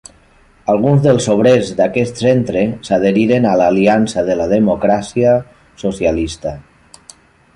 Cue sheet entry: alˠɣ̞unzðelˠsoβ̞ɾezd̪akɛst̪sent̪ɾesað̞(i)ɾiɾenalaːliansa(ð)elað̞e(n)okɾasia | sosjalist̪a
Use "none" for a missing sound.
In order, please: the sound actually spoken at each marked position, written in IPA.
e, ð, m

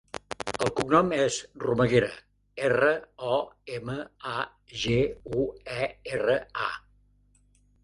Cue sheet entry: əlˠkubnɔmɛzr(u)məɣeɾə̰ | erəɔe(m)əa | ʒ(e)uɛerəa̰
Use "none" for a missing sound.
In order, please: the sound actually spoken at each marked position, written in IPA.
u, m, e

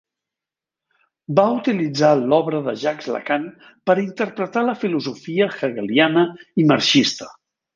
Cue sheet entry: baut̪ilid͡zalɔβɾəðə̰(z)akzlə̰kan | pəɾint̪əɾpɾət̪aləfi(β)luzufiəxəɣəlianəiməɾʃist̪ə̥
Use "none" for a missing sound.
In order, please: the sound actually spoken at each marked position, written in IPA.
ʒ, none

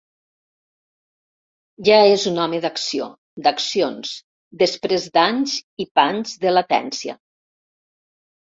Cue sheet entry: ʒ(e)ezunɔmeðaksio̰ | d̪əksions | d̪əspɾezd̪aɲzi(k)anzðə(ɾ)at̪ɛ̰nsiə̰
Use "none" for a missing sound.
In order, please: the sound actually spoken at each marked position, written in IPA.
a, p, l

